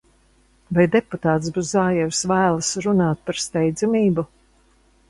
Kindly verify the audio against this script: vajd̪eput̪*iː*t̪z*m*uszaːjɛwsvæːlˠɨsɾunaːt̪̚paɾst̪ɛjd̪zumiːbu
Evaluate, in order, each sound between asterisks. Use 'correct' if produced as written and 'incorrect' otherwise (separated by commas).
incorrect, incorrect